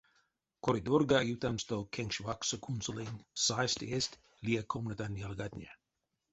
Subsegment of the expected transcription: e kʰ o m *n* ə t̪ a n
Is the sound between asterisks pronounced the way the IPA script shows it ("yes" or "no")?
yes